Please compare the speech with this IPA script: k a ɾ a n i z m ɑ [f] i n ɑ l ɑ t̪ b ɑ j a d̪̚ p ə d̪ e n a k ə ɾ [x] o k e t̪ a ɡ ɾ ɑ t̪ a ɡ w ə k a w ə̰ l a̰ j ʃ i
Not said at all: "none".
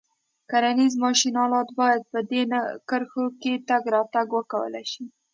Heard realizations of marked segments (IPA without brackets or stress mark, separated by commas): ʃ, x